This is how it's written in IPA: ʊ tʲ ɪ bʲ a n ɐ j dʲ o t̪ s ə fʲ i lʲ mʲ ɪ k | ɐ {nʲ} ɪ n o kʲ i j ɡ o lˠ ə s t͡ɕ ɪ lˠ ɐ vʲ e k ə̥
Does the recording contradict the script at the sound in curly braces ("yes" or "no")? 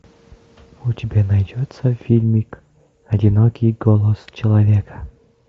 yes